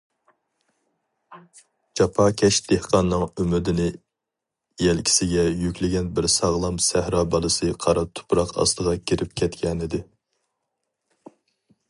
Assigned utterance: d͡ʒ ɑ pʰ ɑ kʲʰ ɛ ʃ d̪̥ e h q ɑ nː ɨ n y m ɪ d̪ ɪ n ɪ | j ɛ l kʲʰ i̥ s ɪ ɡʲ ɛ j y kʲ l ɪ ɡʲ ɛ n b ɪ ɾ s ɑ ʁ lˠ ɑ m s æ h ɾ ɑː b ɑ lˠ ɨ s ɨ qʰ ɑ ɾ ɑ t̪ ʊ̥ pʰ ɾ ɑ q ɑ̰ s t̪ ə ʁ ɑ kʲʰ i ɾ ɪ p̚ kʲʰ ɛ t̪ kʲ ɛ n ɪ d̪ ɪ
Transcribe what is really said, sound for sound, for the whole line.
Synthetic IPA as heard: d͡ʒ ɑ pʰ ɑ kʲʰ ɛ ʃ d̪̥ e h q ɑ nː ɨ ŋ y m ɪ d̪ ɪ n ɪ | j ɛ l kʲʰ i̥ s ɪ ɡʲ ɛ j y kʲ l ɪ ɡʲ ɛ n b ɪ ɾ s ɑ ʁ lˠ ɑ m s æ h ɾ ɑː b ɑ lˠ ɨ s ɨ qʰ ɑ ɾ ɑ t̪ʰ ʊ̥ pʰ ɾ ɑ q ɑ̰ s t̪ ə ʁ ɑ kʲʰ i ɾ ɪ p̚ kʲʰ ɛ t̪ kʲ ɛ n ɪ d̪ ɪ